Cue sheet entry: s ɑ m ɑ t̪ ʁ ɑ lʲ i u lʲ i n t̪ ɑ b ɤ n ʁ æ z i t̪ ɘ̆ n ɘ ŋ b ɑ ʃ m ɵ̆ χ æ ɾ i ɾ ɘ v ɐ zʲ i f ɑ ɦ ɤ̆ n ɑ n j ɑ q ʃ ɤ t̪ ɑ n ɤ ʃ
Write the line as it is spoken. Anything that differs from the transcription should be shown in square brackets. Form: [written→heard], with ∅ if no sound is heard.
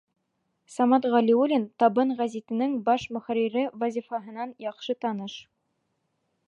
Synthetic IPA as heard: s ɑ m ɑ t̪ ʁ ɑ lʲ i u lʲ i n t̪ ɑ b ɤ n ʁ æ z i t̪ ɘ̆ n ɘ ŋ b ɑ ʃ m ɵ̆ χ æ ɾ i ɾ ɘ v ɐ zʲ i f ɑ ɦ ɤ̆ n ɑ n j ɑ q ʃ ɤ t̪ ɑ n ɤ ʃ